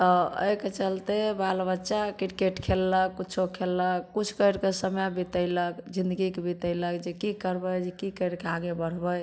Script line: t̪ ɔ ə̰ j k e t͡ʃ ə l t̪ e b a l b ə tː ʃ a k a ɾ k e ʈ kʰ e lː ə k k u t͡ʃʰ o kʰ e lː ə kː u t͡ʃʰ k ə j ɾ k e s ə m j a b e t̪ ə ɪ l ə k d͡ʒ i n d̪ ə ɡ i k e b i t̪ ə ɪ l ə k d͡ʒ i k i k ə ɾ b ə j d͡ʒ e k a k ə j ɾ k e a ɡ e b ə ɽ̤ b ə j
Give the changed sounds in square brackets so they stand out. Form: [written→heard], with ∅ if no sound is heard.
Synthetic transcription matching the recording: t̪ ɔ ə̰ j k e t͡ʃ ə l t̪ e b a l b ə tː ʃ a k [a→i] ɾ k e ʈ kʰ e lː ə k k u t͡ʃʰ o kʰ e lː ə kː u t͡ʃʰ k ə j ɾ k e s ə m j a b [e→i] t̪ ə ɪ l ə k d͡ʒ i n d̪ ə ɡ i k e b i t̪ ə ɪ l ə k d͡ʒ [i→e] k i k ə ɾ b ə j d͡ʒ e k [a→i] k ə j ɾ k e a ɡ e b ə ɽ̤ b ə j